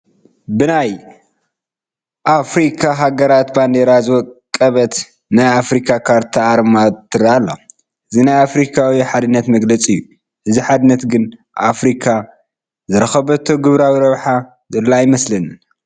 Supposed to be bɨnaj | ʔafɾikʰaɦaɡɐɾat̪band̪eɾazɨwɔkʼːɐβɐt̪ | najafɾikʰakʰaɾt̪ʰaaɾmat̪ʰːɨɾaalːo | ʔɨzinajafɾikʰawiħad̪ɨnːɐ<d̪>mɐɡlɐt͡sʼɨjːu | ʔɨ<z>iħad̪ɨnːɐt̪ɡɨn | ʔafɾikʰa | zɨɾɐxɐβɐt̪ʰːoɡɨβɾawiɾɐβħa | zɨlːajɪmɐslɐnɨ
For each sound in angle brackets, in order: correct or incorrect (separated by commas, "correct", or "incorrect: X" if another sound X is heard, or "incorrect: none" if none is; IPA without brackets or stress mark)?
incorrect: t̪, correct